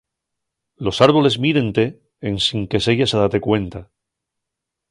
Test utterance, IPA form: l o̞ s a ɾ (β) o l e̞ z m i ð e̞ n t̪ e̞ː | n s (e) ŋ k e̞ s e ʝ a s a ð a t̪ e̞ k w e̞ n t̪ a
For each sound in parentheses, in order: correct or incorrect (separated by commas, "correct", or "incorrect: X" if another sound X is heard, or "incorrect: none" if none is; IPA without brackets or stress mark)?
correct, incorrect: i